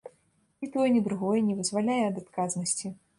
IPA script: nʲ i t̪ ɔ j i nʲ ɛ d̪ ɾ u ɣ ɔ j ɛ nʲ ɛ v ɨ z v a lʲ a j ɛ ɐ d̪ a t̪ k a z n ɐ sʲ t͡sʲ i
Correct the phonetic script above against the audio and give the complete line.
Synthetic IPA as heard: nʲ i t̪ ɔ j ɛ nʲ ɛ d̪ ɾ u ɣ ɔ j ɛ nʲ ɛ v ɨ z v a lʲ a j ɛ ɐ d̪ a t̪ k a z n ɐ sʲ t͡sʲ i